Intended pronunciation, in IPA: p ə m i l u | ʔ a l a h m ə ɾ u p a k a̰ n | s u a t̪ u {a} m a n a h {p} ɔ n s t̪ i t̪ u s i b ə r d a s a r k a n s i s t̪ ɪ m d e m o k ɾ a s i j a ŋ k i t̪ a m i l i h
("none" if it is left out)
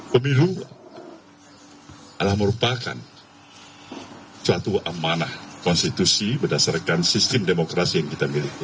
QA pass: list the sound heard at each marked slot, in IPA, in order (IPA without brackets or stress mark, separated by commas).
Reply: a, k